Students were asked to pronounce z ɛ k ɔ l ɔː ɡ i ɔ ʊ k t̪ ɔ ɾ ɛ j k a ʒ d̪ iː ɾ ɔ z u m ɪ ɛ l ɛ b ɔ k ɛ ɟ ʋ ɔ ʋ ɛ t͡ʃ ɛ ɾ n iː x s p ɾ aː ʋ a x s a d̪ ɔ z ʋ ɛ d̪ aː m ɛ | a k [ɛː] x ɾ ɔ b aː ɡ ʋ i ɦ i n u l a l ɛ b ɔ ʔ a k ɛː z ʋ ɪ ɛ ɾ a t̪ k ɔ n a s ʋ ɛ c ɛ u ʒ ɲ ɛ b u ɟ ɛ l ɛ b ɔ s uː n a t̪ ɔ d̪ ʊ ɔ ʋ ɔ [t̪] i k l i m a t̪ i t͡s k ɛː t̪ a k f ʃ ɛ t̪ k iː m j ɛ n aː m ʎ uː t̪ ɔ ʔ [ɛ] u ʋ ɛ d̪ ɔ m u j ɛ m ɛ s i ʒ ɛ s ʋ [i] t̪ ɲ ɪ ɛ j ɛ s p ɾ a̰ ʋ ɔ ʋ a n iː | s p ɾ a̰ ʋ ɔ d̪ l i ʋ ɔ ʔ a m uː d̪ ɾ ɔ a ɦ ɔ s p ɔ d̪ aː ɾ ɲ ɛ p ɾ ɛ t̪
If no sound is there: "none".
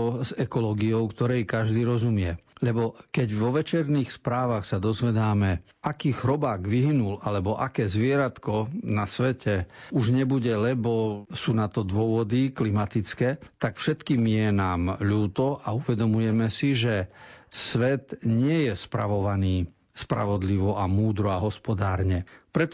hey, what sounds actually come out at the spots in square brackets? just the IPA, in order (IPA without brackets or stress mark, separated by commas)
iː, d̪, a, ɛ